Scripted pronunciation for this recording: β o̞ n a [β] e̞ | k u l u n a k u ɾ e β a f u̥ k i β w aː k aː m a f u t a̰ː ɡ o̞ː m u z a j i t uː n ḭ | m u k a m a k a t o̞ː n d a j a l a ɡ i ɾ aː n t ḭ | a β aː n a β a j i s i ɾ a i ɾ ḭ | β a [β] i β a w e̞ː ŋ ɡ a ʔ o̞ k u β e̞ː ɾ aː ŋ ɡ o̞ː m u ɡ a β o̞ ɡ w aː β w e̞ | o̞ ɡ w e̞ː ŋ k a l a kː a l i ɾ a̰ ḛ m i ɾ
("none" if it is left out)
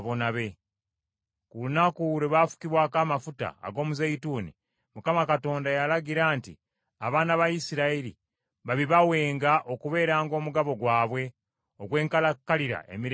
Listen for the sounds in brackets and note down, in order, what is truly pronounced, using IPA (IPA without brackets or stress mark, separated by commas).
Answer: β, β